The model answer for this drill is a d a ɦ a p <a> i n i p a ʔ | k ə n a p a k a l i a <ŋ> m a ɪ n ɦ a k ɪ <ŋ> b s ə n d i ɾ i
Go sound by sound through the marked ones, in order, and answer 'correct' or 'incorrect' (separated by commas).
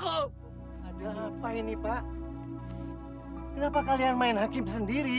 correct, incorrect, incorrect